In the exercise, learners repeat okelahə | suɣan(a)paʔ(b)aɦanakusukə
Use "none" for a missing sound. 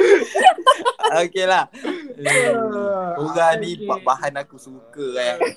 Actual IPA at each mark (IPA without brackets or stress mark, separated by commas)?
i, b